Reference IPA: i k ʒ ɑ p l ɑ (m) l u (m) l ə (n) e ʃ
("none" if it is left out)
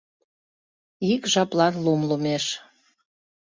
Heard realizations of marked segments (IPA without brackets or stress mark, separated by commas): n, m, m